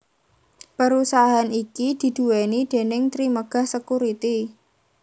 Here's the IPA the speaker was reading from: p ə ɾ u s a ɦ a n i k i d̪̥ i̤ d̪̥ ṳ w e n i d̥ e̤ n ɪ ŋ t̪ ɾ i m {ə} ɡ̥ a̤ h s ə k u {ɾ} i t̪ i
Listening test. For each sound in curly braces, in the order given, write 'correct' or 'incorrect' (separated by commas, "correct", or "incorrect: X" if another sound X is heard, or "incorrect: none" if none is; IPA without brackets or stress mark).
correct, correct